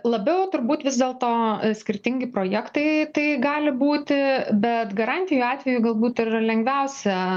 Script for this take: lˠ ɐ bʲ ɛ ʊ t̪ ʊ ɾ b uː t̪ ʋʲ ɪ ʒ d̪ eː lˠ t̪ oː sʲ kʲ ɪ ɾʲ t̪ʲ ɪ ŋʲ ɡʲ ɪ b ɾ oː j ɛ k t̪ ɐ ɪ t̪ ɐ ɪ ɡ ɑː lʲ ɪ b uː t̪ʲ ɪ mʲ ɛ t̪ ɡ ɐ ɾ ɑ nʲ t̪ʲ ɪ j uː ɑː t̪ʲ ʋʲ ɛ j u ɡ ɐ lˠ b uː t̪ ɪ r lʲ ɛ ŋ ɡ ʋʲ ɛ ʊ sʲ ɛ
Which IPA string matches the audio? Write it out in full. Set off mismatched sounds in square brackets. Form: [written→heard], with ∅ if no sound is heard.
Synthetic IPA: lˠ ɐ bʲ ɛ ʊ t̪ ʊ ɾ b uː t̪ ʋʲ ɪ [ʒ→z] d̪ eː lˠ t̪ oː sʲ kʲ ɪ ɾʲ t̪ʲ ɪ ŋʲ ɡʲ ɪ [b→p] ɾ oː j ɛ k t̪ ɐ ɪ t̪ ɐ ɪ ɡ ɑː lʲ ɪ b uː t̪ʲ ɪ [mʲ→bʲ] ɛ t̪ ɡ ɐ ɾ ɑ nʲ t̪ʲ ɪ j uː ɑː t̪ʲ ʋʲ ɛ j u ɡ ɐ lˠ b uː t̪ ɪ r lʲ ɛ ŋ ɡ ʋʲ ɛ ʊ sʲ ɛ

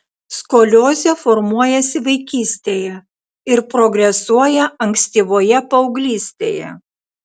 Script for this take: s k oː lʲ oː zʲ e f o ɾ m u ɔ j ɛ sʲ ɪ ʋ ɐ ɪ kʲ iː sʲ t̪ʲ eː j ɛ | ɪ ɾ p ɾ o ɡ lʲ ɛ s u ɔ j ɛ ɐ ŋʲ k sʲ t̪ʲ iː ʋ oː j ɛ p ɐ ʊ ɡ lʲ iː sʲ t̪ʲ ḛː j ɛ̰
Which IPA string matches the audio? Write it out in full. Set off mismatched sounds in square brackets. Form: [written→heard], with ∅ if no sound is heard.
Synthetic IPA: s k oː lʲ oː zʲ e f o ɾ m u ɔ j ɛ sʲ ɪ ʋ ɐ ɪ kʲ iː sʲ t̪ʲ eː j ɛ | ɪ ɾ p ɾ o ɡ [lʲ→ɾʲ] ɛ s u ɔ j ɛ ɐ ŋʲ k sʲ t̪ʲ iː ʋ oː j ɛ p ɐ ʊ ɡ lʲ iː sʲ t̪ʲ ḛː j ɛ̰

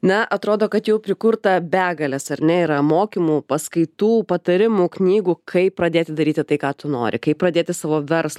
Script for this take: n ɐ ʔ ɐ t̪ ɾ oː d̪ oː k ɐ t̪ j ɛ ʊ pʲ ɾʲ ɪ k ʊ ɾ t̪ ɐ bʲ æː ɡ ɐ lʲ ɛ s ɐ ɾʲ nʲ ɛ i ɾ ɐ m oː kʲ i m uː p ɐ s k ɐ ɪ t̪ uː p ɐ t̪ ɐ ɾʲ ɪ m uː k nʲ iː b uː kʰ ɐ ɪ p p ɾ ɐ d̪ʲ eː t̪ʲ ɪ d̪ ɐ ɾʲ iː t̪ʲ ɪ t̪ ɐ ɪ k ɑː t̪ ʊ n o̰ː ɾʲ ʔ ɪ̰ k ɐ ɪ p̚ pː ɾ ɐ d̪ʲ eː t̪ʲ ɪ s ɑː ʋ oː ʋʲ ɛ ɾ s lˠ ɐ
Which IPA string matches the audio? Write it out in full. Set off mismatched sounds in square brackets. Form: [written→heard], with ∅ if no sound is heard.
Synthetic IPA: n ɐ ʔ ɐ t̪ ɾ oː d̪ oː k ɐ t̪ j ɛ ʊ pʲ ɾʲ ɪ k ʊ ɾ t̪ ɐ bʲ æː ɡ ɐ lʲ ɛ s ɐ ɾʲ nʲ ɛ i ɾ ɐ m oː kʲ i m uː p ɐ s k ɐ ɪ t̪ uː p ɐ t̪ ɐ ɾʲ ɪ m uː k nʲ iː [b→ɡ] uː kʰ ɐ ɪ p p ɾ ɐ d̪ʲ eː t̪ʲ ɪ d̪ ɐ ɾʲ iː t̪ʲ ɪ t̪ ɐ ɪ k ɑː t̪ ʊ n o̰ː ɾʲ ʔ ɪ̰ k ɐ ɪ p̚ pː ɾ ɐ d̪ʲ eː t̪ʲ ɪ s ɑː ʋ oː ʋʲ ɛ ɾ s lˠ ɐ

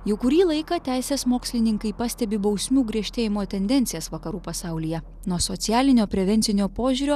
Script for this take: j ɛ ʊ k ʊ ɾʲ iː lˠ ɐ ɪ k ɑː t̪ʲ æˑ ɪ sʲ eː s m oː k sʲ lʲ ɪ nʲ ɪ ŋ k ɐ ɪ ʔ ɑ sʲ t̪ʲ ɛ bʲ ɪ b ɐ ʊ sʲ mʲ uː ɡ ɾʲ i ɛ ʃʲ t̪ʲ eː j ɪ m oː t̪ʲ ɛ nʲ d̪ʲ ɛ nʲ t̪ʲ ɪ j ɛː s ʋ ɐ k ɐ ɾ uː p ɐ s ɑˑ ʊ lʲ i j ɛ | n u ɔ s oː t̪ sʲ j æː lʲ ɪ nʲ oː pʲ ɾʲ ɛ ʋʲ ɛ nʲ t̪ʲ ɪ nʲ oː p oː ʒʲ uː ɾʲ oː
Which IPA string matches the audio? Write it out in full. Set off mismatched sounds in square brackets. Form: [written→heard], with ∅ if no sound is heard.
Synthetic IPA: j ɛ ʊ k ʊ ɾʲ iː lˠ ɐ ɪ k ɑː t̪ʲ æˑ ɪ sʲ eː s m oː k sʲ lʲ ɪ nʲ ɪ ŋ k ɐ ɪ [ʔ→p] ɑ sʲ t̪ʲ ɛ bʲ ɪ b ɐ ʊ sʲ mʲ uː ɡ ɾʲ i ɛ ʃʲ t̪ʲ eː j ɪ m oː t̪ʲ ɛ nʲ d̪ʲ ɛ nʲ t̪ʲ ɪ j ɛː s ʋ ɐ k ɐ ɾ uː p ɐ s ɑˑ ʊ lʲ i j ɛ | n u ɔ s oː t̪ sʲ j æː lʲ ɪ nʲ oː pʲ ɾʲ ɛ ʋʲ ɛ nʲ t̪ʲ ɪ nʲ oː p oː ʒʲ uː ɾʲ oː

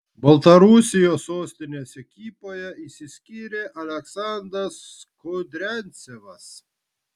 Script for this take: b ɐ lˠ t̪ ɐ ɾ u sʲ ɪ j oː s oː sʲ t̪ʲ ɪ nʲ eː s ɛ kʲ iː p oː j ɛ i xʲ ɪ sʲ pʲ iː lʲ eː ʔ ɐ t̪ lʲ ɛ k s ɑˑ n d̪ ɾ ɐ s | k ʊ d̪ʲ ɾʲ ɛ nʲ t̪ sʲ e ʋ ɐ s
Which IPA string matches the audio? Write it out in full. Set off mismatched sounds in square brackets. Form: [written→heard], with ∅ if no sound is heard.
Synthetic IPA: b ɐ lˠ t̪ ɐ ɾ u sʲ ɪ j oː s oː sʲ t̪ʲ ɪ nʲ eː s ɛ kʲ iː p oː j ɛ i [xʲ→sʲ] ɪ sʲ [pʲ→kʲ] iː [lʲ→ɾʲ] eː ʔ ɐ [t̪→∅] lʲ ɛ k s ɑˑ n d̪ ɾ ɐ s | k ʊ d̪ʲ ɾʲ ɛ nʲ t̪ sʲ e ʋ ɐ s

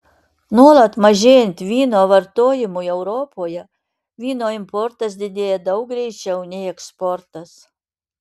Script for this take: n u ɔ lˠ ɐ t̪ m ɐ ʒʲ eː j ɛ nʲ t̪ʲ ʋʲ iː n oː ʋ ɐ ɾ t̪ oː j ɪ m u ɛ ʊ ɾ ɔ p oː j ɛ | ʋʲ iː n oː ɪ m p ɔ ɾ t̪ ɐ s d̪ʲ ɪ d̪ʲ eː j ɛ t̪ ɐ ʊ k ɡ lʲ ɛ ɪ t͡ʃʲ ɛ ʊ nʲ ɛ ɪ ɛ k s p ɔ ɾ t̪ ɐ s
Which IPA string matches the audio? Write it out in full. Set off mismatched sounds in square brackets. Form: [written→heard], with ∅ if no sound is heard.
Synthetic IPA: n u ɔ lˠ ɐ t̪ m ɐ ʒʲ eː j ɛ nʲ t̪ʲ ʋʲ iː n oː ʋ ɐ ɾ t̪ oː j ɪ m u ɛ ʊ ɾ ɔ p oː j ɛ | ʋʲ iː n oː ɪ m p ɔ ɾ t̪ ɐ s d̪ʲ ɪ d̪ʲ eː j ɛ [t̪→d̪] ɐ ʊ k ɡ [lʲ→ɾʲ] ɛ ɪ t͡ʃʲ ɛ ʊ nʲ ɛ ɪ ɛ k s p ɔ ɾ t̪ ɐ s

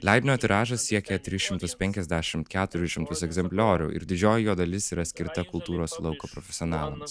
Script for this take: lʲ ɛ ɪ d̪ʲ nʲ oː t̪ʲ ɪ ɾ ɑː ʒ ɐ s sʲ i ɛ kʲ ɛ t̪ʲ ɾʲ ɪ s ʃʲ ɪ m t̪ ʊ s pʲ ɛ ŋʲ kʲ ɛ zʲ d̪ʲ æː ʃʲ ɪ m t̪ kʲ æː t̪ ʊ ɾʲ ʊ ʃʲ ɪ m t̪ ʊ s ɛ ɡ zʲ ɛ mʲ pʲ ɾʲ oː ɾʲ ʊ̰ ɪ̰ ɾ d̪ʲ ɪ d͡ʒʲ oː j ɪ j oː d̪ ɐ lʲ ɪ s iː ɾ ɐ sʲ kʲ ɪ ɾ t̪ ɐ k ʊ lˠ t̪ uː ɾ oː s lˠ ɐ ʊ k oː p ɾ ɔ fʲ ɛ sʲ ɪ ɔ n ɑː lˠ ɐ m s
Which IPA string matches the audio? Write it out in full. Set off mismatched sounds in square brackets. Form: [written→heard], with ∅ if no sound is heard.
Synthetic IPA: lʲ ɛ ɪ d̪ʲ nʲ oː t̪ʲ ɪ ɾ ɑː ʒ ɐ s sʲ i ɛ kʲ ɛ t̪ʲ ɾʲ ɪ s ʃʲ ɪ m t̪ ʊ s pʲ ɛ ŋʲ kʲ ɛ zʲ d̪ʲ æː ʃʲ ɪ m t̪ kʲ æː t̪ ʊ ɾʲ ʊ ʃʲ ɪ m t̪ ʊ s ɛ ɡ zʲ ɛ mʲ pʲ [ɾʲ→lʲ] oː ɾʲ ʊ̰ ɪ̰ ɾ d̪ʲ ɪ d͡ʒʲ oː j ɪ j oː d̪ ɐ lʲ ɪ s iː ɾ ɐ sʲ kʲ ɪ ɾ t̪ ɐ k ʊ lˠ t̪ uː ɾ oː s lˠ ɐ ʊ k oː p ɾ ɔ fʲ ɛ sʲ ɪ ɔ n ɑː lˠ ɐ m s

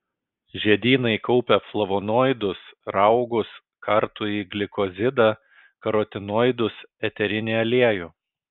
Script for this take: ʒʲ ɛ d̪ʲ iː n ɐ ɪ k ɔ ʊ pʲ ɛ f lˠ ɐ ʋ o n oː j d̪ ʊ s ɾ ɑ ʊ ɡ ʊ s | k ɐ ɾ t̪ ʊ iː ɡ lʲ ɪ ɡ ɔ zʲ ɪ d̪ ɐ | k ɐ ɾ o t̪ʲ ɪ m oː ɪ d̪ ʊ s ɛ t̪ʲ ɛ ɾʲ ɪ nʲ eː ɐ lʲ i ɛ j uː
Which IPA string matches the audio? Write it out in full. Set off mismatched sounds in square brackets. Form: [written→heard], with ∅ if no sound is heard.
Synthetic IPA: ʒʲ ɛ d̪ʲ iː n ɐ ɪ k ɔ ʊ pʲ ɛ f lˠ ɐ ʋ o n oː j d̪ ʊ s ɾ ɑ ʊ ɡ ʊ s | k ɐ ɾ t̪ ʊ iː ɡ lʲ ɪ [ɡ→k] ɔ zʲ ɪ d̪ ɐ | k ɐ ɾ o t̪ʲ ɪ [m→n] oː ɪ d̪ ʊ s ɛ t̪ʲ ɛ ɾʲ ɪ nʲ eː ɐ lʲ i ɛ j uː

